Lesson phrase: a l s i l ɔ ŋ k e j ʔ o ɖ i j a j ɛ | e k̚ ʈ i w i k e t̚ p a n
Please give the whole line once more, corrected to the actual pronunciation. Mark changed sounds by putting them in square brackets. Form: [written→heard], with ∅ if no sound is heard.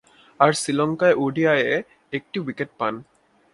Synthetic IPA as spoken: a [l→ɹ] s i l ɔ ŋ k [e→a] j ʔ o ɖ i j a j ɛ | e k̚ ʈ i w i k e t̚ p a n